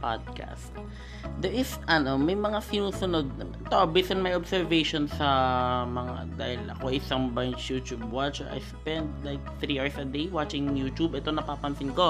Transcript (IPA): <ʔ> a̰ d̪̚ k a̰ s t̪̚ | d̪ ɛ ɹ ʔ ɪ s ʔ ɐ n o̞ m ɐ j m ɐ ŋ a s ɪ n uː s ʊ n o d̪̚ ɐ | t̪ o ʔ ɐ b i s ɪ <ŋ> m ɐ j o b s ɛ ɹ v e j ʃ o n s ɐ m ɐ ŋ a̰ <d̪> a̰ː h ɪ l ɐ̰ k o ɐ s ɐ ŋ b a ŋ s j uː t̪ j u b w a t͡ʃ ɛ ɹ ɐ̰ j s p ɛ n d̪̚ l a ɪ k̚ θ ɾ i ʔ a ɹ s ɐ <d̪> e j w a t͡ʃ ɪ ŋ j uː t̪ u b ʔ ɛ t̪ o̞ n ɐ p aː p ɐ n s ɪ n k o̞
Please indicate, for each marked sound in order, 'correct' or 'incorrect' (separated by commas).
incorrect, incorrect, correct, correct